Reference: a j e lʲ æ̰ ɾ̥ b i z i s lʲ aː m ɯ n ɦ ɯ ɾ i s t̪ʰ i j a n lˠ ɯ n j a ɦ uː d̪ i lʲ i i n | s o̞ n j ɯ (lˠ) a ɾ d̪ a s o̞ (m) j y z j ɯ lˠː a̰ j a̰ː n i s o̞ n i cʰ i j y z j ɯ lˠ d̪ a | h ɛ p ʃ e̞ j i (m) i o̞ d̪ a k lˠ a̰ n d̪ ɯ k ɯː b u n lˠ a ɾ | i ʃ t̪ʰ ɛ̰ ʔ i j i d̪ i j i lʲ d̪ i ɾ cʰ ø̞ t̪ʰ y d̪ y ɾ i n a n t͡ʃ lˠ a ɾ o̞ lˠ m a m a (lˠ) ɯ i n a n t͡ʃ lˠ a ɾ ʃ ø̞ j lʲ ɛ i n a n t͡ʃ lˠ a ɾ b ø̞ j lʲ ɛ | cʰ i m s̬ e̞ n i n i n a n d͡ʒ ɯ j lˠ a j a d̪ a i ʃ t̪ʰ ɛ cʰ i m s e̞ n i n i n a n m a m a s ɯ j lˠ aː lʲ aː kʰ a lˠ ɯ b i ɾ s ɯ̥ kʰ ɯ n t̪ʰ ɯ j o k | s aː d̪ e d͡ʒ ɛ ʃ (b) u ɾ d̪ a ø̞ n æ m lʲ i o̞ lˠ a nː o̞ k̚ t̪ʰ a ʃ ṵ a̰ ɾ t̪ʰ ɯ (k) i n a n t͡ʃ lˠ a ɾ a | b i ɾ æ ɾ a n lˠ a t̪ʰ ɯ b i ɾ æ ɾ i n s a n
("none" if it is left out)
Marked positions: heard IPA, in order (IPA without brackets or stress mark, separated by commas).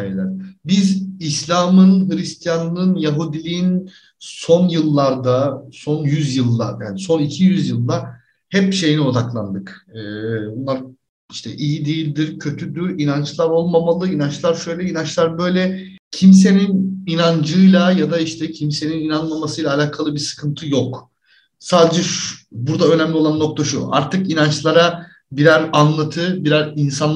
lˠː, n, n, lˠ, b, k